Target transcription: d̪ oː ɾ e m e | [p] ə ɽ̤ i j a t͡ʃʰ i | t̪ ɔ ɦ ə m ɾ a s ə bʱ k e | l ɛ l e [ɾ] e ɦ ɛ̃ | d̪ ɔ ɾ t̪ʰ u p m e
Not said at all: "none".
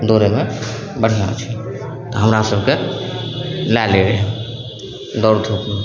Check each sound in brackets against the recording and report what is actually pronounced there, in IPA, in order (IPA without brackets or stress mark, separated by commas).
b, ɾ